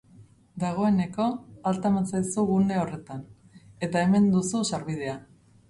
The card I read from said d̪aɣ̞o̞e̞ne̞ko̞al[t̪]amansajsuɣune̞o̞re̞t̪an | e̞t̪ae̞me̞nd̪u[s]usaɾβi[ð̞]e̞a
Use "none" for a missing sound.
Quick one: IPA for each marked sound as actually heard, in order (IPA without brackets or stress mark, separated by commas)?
t̪, s, ð̞